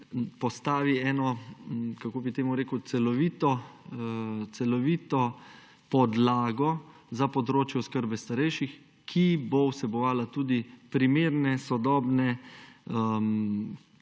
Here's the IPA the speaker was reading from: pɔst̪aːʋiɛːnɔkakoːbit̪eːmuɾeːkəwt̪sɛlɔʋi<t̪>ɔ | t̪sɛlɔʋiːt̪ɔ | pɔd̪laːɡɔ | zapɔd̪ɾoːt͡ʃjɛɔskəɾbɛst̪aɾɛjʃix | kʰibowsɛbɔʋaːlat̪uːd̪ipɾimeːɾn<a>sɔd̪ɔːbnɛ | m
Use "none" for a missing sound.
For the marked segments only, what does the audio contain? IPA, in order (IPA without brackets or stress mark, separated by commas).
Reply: t̪, ɛ